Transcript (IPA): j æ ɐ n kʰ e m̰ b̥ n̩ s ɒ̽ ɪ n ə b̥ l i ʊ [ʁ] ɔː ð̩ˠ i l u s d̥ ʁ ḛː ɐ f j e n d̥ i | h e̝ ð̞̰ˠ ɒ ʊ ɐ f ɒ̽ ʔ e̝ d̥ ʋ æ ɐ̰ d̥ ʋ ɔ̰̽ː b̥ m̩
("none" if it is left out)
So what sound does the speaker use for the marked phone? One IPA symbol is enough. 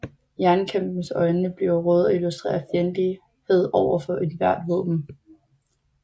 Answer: ʁ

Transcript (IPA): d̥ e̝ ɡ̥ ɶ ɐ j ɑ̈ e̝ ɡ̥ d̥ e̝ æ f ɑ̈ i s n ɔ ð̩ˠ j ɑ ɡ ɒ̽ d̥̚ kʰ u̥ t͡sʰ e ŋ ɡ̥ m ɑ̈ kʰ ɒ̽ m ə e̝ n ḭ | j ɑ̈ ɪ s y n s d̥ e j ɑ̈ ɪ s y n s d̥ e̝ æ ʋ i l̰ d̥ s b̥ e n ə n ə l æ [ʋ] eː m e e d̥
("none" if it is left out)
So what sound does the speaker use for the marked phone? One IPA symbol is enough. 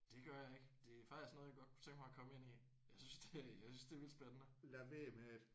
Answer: ʋ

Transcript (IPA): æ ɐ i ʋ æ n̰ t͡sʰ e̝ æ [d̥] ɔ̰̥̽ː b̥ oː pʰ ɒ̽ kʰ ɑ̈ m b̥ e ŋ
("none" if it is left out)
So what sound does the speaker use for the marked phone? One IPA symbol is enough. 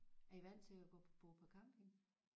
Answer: ɡ̥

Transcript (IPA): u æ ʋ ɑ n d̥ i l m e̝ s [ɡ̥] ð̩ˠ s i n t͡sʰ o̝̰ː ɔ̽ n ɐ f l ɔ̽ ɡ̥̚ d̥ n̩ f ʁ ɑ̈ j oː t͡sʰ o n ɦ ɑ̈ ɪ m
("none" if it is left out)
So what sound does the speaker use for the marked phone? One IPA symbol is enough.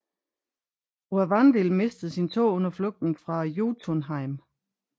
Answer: d̥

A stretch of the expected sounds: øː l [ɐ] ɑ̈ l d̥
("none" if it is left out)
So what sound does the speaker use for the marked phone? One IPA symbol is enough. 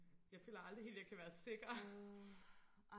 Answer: ɐ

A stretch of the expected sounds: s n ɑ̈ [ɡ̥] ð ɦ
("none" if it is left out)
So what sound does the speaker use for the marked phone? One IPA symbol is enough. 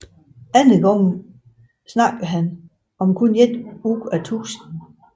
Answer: ɡ̥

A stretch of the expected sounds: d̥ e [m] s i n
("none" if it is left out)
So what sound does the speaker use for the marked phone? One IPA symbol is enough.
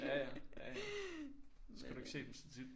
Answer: m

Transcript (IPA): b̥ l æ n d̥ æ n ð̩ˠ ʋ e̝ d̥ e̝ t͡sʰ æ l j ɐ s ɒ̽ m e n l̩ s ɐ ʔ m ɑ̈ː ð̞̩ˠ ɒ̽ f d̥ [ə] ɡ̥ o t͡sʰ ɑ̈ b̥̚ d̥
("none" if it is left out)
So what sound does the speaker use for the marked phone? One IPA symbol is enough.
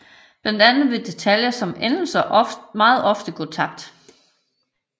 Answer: ə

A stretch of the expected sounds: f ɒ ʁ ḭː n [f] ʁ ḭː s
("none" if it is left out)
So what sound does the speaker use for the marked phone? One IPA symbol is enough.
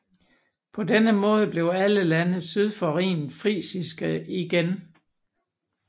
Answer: f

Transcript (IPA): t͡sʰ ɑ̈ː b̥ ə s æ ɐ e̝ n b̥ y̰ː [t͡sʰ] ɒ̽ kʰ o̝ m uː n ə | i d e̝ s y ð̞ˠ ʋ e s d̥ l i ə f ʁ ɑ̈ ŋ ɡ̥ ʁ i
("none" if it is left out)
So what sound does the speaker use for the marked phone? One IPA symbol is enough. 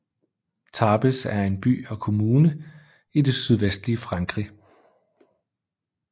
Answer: none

